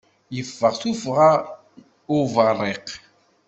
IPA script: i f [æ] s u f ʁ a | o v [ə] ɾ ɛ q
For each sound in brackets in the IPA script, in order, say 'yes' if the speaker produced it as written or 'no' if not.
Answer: no, no

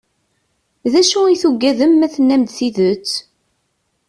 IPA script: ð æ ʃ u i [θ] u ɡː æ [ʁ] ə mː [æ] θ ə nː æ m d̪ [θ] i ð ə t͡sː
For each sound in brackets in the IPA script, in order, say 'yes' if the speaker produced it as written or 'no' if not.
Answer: yes, no, yes, yes

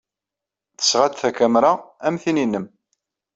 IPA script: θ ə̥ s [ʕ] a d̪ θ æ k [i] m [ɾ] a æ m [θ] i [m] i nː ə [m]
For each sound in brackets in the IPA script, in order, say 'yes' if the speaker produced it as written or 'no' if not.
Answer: no, no, yes, yes, no, yes

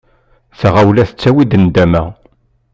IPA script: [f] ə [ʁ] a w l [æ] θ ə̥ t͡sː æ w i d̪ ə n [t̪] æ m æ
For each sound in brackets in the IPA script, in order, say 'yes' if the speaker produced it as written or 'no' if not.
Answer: no, yes, yes, no

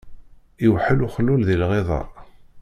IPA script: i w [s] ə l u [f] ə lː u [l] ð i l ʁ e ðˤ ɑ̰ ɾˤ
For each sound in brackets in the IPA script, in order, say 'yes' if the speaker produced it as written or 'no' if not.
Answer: no, no, yes

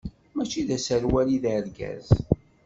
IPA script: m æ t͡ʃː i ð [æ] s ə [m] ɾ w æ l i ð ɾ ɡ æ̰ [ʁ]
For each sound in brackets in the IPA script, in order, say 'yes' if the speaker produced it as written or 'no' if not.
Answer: yes, no, no

